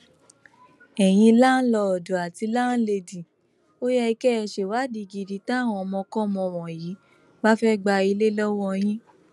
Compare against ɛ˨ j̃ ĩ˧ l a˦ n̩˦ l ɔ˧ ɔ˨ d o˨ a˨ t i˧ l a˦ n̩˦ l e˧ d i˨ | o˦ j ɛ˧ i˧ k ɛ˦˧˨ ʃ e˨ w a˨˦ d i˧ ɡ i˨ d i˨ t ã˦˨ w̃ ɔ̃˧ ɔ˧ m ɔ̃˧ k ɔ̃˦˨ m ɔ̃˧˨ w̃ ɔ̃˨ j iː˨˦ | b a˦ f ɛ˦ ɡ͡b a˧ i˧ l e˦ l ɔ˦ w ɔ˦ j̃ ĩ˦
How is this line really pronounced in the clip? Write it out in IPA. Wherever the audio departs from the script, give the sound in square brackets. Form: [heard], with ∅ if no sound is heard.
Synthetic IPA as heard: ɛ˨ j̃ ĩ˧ l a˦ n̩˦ l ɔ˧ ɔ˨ d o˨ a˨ t i˧ l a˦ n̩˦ l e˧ d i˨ | o˦ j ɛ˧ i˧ k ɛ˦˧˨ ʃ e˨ w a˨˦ d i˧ ɡ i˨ d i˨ t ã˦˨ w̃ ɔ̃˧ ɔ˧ m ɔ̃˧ k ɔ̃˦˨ m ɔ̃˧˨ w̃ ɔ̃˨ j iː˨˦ | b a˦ f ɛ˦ ɡ͡b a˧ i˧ l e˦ l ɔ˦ w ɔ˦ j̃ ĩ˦